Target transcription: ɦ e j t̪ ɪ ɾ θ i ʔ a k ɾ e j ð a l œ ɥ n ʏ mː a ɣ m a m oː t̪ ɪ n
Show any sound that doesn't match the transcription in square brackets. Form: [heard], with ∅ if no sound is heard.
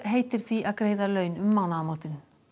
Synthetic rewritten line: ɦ e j t̪ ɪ ɾ θ i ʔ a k ɾ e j ð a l œ ɥ n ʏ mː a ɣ [n] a m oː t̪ ɪ n